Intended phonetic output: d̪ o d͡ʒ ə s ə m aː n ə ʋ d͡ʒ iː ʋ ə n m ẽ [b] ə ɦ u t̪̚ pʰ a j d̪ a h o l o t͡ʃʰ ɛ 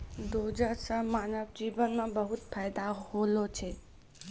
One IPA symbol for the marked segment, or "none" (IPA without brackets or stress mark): b